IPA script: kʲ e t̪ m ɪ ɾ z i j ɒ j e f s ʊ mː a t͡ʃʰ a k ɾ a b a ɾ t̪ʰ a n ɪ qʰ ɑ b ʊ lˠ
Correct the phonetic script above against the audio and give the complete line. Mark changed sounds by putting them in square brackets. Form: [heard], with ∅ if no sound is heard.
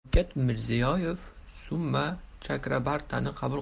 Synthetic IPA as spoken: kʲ [a] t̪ m ɪ ɾ z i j ɒ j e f s ʊ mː a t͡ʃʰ a k ɾ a b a ɾ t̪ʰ a n ɪ qʰ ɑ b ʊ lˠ